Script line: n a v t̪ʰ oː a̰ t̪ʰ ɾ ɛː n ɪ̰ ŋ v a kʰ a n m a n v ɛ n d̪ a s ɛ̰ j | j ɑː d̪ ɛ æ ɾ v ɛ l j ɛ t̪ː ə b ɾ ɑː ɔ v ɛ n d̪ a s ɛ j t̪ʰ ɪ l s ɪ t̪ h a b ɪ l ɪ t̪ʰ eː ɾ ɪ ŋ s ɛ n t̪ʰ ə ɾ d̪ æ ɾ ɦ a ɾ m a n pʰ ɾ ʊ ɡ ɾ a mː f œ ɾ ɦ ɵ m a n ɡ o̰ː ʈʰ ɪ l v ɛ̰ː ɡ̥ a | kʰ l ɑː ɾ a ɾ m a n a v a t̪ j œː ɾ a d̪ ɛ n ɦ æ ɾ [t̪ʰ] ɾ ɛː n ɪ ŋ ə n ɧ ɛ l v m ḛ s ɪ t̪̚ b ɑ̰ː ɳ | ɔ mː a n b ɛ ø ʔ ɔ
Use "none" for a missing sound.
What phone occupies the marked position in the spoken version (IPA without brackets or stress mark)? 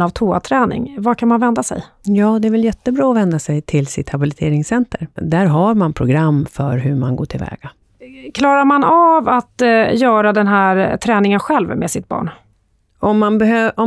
t̪ʰ